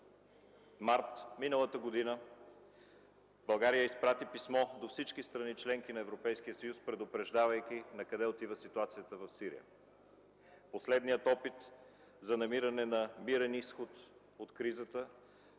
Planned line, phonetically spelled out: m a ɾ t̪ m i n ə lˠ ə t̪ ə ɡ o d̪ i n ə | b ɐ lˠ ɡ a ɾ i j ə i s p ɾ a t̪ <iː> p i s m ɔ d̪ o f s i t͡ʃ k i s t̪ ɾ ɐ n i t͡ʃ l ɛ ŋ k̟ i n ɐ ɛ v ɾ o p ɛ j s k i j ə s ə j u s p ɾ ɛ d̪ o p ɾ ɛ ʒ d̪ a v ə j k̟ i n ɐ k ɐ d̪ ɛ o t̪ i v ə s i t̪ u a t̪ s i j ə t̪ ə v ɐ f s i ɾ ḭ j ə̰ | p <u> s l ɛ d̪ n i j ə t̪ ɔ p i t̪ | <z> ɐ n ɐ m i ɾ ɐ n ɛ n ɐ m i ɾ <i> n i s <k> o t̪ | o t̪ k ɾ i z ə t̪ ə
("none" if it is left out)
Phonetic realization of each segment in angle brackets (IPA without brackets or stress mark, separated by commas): i, o, z, ɛ, x